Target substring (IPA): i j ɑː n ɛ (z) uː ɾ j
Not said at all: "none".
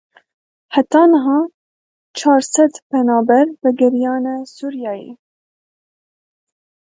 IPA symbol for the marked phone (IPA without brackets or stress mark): s